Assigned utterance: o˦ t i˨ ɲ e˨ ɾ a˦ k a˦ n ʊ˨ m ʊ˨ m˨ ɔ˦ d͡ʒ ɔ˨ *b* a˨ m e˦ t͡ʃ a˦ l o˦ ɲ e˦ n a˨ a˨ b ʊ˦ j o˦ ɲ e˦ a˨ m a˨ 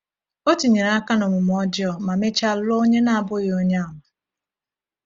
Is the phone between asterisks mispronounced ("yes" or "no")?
yes